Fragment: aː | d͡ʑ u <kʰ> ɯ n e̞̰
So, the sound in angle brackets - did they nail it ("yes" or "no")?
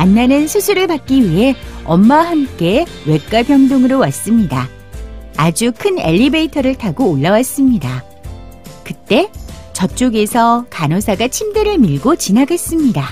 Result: yes